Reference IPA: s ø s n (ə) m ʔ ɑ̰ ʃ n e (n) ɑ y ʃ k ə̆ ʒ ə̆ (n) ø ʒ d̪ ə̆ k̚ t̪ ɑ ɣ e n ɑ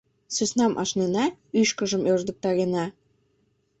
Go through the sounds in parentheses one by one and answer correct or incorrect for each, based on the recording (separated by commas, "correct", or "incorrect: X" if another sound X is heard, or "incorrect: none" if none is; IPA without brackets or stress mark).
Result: incorrect: ɑ, correct, incorrect: m